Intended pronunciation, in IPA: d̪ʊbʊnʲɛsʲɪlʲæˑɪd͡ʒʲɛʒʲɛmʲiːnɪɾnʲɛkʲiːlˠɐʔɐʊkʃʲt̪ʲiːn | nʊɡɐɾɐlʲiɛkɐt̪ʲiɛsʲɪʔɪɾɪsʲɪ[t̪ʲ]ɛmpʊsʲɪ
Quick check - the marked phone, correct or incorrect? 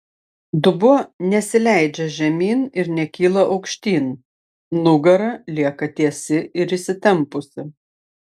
correct